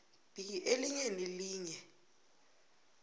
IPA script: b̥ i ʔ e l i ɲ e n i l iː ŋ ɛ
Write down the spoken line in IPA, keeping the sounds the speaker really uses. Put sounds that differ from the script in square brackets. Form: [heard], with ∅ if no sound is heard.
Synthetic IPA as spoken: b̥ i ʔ e l i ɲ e n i l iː [ɲ] ɛ